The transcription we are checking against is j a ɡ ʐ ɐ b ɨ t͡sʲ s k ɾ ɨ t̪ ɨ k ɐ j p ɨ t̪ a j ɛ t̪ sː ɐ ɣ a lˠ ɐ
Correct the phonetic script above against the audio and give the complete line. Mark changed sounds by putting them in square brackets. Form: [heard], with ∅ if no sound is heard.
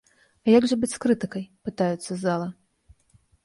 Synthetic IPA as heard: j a ɡ ʐ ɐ b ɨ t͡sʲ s k ɾ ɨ t̪ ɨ k ɐ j p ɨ t̪ a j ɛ t̪ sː ɐ [z] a lˠ ɐ